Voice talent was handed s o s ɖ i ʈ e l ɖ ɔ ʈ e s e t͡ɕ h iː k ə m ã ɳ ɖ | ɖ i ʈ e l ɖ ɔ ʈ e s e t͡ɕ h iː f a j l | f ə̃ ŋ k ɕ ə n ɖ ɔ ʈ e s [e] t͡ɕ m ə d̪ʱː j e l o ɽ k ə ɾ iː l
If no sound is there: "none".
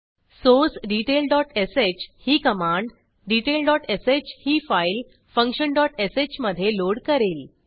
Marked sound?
e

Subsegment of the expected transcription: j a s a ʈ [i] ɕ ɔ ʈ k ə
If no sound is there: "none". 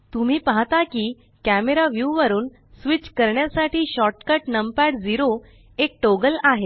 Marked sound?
iː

